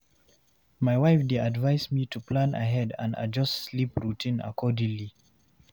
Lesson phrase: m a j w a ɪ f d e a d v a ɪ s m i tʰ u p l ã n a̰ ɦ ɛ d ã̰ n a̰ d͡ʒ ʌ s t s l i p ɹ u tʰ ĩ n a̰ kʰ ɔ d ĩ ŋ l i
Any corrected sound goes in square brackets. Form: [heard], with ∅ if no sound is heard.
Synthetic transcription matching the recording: m a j w a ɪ f d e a d v a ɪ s m i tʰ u p l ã n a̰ ɦ ɛ d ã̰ n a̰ d͡ʒ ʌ s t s l i p ɹ u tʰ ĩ n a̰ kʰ ɔ d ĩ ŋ l i